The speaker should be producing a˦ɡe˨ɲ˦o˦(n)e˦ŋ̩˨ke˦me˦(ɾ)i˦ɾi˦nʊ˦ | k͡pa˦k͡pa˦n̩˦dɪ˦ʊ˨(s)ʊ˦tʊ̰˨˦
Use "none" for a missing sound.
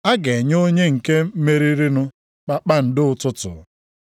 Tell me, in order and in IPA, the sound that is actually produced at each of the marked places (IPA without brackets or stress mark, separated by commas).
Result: ɲ, ɾ, t